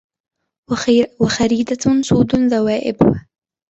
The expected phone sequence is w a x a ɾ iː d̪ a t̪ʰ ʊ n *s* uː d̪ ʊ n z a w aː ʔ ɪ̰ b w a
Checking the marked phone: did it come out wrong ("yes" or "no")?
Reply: no